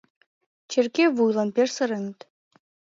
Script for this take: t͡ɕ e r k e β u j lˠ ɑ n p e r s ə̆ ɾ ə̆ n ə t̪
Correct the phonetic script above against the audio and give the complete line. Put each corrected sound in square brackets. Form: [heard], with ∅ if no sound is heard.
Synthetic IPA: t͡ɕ e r k e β u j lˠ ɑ n p e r s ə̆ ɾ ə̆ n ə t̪

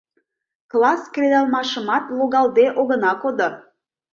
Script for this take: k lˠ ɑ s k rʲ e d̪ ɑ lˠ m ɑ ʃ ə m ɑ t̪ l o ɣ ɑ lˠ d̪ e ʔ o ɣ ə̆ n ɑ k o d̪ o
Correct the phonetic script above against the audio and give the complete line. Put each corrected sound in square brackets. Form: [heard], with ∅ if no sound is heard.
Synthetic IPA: k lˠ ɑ s k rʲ e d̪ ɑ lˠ m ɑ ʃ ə m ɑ t̪ l o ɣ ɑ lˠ d̪ e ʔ o ɣ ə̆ n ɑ k o d̪ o

